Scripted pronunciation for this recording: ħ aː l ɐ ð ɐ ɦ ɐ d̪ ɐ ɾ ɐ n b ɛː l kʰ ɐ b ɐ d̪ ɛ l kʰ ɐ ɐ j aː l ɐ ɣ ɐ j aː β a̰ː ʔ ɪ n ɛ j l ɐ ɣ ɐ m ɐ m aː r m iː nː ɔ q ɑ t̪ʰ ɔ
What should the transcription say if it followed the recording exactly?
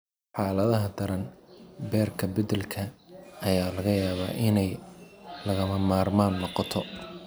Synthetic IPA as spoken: ħ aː l ɐ ð ɐ ɦ ɐ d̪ ɐ ɾ ɐ n b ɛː r kʰ ɐ b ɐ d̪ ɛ l kʰ ɐ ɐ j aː l ɐ ɣ ɐ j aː β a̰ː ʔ ɪ n ɛ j l ɐ ɣ ɐ m ɐ m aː r m aː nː ɔ q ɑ t̪ʰ ɔ